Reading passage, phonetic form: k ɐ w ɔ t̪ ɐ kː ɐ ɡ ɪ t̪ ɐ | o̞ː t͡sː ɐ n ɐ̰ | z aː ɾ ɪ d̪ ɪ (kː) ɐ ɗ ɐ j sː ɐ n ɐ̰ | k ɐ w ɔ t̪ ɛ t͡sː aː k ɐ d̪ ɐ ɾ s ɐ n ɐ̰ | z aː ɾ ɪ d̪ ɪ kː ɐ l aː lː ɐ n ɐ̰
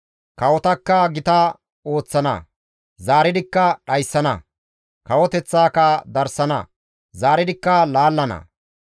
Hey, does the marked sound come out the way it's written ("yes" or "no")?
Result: yes